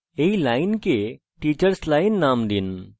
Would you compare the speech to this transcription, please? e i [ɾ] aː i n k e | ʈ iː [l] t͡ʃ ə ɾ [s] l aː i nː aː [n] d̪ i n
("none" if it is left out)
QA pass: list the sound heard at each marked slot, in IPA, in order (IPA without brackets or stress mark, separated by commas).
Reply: l, none, s, m